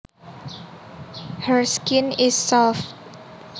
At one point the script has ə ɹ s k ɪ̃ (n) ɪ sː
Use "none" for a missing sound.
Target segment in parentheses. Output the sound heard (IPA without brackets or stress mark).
n